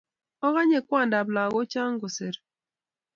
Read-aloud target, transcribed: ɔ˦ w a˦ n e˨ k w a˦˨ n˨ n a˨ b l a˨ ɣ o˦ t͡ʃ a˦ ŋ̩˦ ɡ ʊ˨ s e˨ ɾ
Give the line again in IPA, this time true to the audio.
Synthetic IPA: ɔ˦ ɣ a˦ ɲ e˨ k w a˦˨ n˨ d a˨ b l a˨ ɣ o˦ t͡ʃ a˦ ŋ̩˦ ɡ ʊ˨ s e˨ ɾ